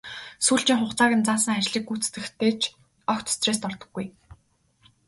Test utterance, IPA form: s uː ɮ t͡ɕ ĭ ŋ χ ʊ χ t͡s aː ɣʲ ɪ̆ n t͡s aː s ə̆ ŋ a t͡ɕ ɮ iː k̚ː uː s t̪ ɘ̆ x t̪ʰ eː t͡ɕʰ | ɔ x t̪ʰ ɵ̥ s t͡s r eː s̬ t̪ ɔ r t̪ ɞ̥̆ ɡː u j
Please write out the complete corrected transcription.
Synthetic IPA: s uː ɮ t͡ɕ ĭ ŋ χ ʊ χ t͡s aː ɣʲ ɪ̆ n t͡s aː s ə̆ ŋ a t͡ɕ ɮ iː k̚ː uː t͡s t̪ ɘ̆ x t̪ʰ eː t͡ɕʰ | ɔ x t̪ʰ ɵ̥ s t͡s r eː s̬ t̪ ɔ r t̪ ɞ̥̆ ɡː u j